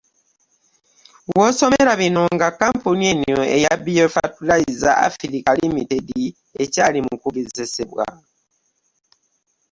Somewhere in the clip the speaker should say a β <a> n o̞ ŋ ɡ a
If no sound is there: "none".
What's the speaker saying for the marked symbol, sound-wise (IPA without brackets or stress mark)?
i